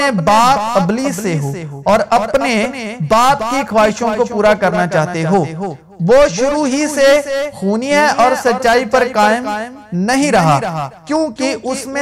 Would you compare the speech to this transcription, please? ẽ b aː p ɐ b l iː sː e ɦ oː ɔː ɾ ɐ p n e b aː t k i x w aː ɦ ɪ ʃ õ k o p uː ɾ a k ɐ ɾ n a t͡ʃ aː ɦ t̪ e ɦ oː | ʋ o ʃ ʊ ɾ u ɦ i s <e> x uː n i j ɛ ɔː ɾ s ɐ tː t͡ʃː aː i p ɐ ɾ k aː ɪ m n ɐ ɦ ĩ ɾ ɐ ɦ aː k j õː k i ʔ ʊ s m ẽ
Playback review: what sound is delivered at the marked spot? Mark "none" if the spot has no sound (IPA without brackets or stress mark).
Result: e